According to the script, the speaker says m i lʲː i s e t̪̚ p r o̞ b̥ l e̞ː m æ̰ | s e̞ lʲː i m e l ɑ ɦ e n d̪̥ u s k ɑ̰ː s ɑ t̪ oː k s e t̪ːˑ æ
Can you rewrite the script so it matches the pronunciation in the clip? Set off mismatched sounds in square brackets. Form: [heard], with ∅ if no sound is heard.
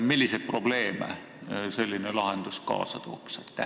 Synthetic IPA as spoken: m i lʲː i s e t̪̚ p r o̞ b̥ l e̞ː m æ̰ | s e̞ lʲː i [n] e l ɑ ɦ e n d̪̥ u s k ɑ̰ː s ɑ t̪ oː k s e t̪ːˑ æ